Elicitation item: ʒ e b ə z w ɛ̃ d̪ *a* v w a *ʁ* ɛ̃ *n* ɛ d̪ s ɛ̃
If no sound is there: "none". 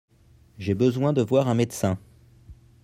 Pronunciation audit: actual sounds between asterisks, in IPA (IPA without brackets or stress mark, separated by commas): ə, ʁ, m